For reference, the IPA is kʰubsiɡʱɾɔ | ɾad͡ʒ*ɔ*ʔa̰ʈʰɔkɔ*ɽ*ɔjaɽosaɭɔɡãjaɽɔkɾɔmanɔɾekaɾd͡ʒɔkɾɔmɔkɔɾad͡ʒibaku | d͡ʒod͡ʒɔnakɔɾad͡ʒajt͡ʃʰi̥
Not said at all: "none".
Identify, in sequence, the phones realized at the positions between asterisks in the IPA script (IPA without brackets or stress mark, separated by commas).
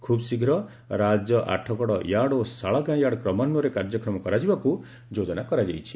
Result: ɔ, ɽ